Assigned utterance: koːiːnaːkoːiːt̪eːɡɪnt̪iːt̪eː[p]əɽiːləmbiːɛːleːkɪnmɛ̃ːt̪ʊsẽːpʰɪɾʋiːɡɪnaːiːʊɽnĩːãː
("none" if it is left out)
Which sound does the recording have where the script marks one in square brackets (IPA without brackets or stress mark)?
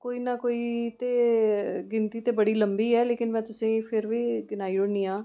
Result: b